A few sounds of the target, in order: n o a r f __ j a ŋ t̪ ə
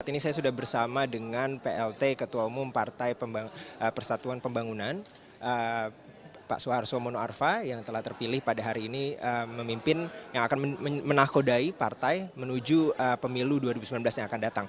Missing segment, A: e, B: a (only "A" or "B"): B